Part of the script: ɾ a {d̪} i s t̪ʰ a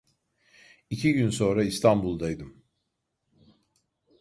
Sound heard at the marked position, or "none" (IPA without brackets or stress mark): none